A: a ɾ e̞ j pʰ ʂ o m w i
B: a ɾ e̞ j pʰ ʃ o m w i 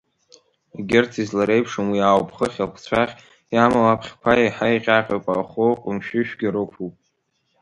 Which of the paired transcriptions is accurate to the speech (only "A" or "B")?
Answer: A